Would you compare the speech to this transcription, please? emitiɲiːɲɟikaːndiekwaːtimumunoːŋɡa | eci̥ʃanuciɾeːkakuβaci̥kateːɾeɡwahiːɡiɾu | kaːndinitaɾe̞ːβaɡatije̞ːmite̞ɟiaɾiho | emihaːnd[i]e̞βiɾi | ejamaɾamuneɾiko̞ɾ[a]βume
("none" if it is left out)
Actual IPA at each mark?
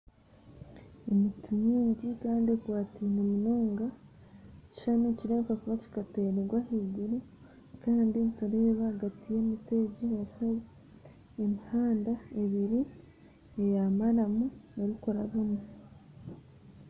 a, a

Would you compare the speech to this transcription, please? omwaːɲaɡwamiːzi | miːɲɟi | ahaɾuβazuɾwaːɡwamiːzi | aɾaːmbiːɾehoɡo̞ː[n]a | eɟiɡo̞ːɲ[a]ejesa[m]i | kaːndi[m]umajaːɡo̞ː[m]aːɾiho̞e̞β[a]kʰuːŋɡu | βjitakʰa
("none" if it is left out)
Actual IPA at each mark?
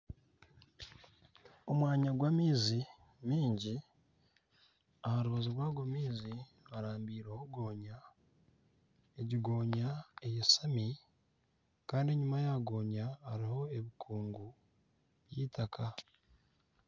ɲ, a, m, ɲ, ɲ, i

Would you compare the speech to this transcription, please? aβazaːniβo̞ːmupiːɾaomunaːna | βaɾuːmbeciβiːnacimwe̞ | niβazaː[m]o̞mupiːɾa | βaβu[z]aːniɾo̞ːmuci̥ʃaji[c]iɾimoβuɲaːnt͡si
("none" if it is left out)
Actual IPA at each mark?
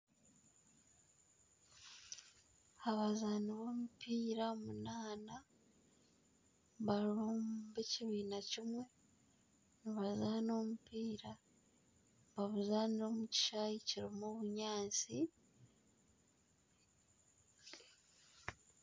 n, z, c

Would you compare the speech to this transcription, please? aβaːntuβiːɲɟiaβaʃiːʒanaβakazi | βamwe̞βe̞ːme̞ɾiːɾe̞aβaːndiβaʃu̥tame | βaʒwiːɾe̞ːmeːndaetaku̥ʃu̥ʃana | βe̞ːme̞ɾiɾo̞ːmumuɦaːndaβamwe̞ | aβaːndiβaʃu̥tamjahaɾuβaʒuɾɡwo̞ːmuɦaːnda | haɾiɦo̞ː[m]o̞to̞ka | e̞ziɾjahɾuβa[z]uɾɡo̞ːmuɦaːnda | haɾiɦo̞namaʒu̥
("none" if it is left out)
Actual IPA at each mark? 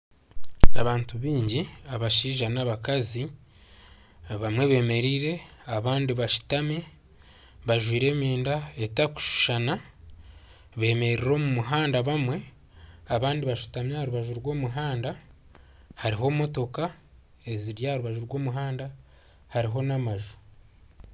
m, ʒ

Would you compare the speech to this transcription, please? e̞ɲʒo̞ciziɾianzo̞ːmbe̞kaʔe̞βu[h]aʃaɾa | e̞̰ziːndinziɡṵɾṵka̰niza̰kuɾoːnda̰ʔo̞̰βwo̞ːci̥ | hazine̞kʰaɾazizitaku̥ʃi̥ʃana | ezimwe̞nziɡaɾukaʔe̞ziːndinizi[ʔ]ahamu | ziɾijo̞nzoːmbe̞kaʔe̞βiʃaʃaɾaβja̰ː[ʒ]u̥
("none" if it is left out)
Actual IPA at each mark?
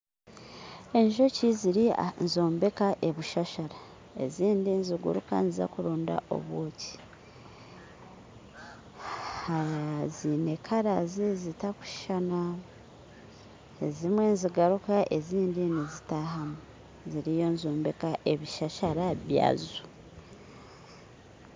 ʃ, t, z

